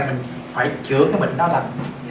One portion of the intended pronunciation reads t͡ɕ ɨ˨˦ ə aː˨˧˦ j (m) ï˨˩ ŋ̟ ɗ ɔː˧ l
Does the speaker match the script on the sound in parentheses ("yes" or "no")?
yes